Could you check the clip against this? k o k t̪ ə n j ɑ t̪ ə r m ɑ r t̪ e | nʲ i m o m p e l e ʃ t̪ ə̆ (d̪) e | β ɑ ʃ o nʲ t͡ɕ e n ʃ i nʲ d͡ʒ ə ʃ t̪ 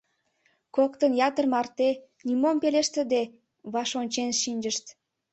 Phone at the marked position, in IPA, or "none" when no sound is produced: d̪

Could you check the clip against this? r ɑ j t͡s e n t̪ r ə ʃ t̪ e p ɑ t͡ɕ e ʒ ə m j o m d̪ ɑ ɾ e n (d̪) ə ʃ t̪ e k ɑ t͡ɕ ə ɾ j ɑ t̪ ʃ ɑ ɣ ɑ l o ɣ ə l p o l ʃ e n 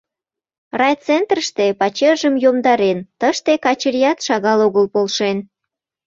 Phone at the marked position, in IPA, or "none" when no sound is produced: t̪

